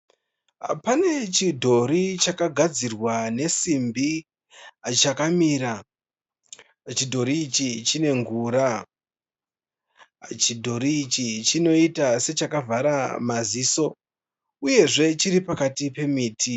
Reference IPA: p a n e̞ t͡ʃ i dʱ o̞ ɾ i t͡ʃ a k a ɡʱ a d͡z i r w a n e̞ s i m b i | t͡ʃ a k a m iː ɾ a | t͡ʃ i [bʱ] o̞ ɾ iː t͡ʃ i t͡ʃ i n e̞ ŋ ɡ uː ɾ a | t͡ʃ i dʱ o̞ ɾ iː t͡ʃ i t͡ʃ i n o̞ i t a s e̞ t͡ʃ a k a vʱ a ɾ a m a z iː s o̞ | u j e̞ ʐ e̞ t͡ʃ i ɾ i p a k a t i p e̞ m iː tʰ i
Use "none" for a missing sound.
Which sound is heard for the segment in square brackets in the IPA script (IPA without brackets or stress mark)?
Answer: dʱ